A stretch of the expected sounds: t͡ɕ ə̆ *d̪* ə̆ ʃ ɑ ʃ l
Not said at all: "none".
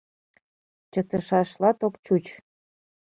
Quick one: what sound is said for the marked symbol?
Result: t̪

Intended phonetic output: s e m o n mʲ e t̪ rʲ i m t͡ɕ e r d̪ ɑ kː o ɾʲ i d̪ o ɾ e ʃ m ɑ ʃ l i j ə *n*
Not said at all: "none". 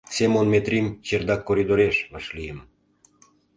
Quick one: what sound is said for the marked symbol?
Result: m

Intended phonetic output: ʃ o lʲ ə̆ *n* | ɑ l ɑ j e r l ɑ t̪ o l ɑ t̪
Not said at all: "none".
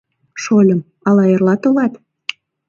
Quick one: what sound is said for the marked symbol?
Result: m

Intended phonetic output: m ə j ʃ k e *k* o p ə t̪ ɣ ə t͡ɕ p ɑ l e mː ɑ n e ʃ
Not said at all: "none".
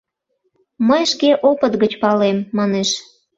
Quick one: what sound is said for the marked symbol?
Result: ʔ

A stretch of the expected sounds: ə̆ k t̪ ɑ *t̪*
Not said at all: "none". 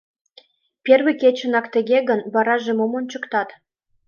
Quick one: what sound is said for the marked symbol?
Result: t̪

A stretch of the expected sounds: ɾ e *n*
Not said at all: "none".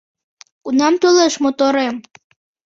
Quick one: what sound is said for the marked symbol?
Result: m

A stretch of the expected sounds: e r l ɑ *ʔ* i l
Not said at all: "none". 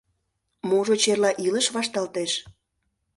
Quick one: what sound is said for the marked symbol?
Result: ʔ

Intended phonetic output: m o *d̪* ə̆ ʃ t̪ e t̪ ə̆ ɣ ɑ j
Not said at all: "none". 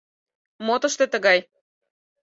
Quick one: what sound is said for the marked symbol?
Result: t̪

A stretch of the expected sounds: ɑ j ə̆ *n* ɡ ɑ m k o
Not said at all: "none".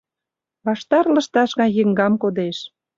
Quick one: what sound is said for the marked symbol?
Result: ŋ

